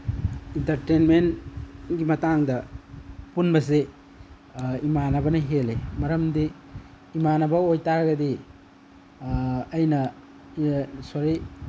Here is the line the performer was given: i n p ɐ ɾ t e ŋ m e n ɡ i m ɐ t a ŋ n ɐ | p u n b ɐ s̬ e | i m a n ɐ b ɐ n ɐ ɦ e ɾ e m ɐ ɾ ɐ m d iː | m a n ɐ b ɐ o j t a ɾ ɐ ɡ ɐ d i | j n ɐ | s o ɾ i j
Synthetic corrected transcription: i n t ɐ ɾ t e n m e n ɡ i m ɐ t a ŋ d ɐ | p u n b ɐ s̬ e | i m a n ɐ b ɐ n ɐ ɦ e l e m ɐ ɾ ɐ m d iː | m a n ɐ b ɐ o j t a ɾ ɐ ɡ ɐ d i | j n ɐ | s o ɾ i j